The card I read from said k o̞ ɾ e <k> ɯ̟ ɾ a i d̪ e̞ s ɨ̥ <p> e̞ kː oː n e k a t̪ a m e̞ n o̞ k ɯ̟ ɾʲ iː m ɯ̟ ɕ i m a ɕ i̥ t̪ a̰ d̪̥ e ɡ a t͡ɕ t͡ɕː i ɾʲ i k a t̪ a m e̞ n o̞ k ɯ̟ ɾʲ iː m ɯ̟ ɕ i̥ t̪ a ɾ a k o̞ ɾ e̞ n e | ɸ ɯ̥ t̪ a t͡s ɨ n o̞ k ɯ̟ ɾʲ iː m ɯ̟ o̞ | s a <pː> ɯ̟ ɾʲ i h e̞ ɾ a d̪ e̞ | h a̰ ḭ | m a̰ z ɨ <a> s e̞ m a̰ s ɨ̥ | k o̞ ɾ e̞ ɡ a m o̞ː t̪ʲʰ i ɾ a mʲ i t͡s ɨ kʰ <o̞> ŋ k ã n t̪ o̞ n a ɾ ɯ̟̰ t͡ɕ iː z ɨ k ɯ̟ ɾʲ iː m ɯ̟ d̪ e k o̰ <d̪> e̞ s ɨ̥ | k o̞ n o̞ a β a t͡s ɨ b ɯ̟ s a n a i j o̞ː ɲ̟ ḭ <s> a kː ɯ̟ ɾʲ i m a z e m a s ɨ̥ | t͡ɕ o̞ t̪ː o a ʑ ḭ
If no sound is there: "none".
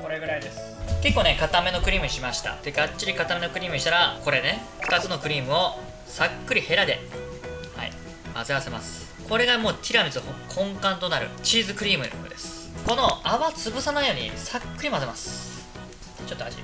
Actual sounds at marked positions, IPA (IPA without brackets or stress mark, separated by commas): ɡ, k, kː, a, õ̞, d̪, s